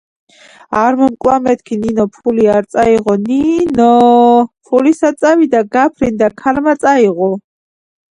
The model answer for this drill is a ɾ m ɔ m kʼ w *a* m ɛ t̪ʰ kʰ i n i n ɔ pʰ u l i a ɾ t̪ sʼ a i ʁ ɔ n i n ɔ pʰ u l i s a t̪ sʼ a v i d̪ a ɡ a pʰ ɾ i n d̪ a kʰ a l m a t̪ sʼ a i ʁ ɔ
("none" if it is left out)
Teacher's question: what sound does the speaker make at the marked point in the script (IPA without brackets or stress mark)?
a